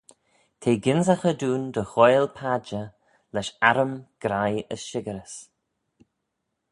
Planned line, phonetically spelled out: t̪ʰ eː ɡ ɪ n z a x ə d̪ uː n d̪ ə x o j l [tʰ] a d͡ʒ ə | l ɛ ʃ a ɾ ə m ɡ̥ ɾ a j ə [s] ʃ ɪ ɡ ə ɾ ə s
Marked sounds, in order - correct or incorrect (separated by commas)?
incorrect, correct